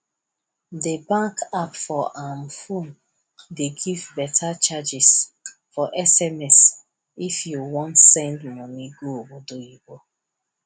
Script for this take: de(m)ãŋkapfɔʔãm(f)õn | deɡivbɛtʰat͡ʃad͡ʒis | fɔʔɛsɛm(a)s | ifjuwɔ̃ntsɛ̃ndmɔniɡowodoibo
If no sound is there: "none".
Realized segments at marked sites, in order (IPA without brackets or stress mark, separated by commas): b, f, ɛ